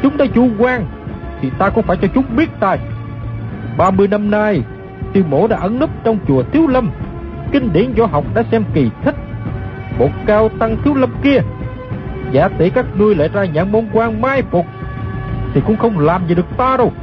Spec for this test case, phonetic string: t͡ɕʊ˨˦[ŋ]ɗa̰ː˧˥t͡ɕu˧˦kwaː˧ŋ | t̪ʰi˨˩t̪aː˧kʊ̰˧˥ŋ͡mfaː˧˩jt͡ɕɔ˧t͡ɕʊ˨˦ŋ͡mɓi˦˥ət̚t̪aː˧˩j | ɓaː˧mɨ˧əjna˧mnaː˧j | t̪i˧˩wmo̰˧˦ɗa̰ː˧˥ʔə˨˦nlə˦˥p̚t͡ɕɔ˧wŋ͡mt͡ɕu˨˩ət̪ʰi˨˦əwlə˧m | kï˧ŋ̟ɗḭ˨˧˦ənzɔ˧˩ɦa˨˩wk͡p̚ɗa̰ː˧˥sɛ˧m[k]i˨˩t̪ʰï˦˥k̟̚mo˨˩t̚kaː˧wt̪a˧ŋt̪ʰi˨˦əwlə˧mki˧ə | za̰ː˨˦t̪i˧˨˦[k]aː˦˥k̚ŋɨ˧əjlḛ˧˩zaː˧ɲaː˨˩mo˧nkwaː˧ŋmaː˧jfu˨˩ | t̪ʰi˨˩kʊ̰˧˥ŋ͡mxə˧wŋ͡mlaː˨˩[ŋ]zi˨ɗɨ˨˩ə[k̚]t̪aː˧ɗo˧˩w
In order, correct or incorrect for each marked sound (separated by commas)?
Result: incorrect, correct, correct, incorrect, correct